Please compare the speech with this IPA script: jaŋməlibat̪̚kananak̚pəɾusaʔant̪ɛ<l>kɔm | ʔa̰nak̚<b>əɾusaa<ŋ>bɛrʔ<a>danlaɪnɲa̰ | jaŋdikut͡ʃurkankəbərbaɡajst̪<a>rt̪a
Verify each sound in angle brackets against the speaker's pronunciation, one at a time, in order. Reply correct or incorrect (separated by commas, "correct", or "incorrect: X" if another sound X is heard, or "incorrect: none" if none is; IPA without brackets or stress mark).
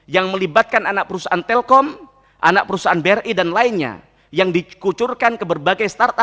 correct, incorrect: p, incorrect: n, incorrect: i, correct